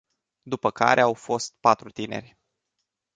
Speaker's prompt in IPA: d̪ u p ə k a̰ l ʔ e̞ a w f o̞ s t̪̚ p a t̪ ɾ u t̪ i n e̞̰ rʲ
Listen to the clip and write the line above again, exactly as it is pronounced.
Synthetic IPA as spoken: d̪ u p ə k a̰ ɾ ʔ e̞ a w f o̞ s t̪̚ p a t̪ ɾ u t̪ i n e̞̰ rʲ